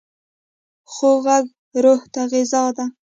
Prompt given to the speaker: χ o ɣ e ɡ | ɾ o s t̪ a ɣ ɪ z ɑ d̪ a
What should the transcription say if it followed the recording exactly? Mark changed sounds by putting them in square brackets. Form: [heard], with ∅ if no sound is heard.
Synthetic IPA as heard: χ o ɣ [a] ɡ | ɾ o [h] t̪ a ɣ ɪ z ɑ d̪ a